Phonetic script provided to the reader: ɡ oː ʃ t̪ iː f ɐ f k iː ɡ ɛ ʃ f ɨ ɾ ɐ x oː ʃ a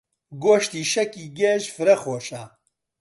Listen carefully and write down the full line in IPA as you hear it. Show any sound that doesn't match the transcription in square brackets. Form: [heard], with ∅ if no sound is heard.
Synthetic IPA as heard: ɡ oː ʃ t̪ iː [ʃ] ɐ [∅] k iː ɡ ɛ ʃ f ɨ ɾ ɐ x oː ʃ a